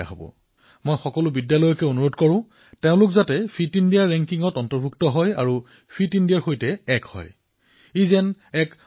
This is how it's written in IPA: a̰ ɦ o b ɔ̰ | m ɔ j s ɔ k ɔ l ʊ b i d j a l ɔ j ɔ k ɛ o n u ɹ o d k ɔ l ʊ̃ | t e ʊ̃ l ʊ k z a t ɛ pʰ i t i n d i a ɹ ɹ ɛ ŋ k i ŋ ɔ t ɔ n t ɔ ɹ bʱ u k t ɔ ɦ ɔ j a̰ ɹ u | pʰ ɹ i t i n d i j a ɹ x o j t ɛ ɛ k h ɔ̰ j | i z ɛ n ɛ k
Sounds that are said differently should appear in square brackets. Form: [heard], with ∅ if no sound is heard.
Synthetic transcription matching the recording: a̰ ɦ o b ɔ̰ | m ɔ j [x] ɔ k ɔ l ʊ b i d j a l ɔ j ɔ k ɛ o n u ɹ o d k ɔ [ɹ] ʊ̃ | t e ʊ̃ l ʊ k z a t ɛ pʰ i t i n d i a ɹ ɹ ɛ ŋ k i ŋ ɔ t ɔ n t ɔ ɹ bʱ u k t ɔ ɦ ɔ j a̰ ɹ u | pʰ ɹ i t i n d i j a ɹ x o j t ɛ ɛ k h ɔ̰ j | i z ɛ n ɛ k